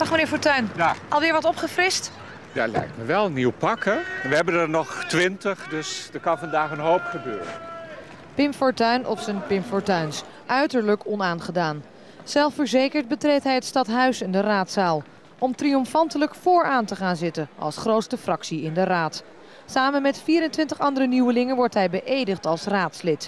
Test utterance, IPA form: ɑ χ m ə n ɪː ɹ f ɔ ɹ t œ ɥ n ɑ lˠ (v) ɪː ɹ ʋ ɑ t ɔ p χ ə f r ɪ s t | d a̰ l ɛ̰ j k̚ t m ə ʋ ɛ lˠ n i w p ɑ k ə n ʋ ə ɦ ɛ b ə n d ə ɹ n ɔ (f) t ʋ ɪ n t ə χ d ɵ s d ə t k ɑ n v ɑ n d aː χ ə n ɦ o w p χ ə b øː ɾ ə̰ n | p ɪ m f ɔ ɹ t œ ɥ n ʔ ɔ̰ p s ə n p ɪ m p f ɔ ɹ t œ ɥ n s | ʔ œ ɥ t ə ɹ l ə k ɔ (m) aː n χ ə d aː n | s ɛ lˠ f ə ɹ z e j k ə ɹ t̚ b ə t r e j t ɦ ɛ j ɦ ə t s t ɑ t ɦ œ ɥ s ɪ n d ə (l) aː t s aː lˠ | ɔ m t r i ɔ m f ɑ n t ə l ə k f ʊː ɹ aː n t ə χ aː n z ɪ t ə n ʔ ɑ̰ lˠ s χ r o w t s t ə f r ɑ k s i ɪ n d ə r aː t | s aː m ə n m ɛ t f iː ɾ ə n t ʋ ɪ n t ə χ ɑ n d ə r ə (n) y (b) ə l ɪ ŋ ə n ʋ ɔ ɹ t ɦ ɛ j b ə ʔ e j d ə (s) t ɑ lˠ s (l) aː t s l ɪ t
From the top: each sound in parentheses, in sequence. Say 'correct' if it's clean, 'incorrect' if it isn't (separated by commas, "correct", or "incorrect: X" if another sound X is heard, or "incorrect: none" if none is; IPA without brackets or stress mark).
incorrect: ʋ, incorrect: χ, incorrect: n, incorrect: r, correct, incorrect: w, incorrect: χ, incorrect: r